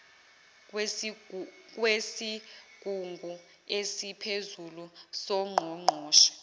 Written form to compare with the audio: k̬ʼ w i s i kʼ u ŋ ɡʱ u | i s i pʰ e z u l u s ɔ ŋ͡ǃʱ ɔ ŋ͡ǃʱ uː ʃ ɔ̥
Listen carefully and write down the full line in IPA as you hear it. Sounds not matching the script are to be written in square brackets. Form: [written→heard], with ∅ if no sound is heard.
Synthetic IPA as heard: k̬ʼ w [i→e] s i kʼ u ŋ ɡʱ u | [i→e] s i pʰ e z u l u s ɔ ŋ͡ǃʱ ɔ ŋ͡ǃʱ [uː→ɔː] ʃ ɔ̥